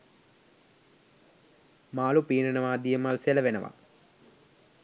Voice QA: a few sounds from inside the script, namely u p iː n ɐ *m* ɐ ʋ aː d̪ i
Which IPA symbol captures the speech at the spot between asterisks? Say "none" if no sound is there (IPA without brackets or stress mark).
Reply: n